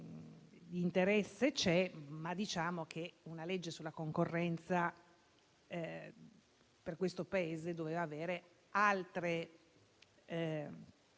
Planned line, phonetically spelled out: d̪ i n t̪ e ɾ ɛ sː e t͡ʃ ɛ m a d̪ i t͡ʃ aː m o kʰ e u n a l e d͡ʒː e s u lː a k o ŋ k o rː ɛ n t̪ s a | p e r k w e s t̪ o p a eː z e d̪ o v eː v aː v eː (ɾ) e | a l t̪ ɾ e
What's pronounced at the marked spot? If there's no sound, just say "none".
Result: ɾ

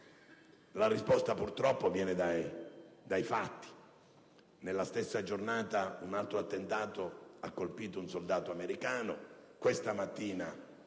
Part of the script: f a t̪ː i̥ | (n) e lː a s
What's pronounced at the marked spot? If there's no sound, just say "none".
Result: n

